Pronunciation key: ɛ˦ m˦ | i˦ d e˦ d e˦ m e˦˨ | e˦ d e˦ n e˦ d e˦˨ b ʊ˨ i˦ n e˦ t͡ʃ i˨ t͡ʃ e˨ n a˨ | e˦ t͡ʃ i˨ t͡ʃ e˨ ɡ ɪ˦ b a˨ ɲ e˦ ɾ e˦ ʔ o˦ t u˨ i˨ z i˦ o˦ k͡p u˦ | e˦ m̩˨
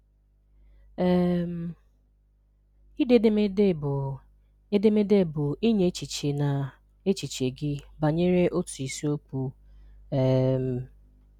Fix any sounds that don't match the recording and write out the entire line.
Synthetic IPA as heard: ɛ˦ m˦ | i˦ d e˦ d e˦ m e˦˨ | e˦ d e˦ m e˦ d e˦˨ b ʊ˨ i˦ ɲ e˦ t͡ʃ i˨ t͡ʃ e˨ n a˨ | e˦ t͡ʃ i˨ t͡ʃ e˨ ɡ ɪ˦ b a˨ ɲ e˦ ɾ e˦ ʔ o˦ t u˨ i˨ s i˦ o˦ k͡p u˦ | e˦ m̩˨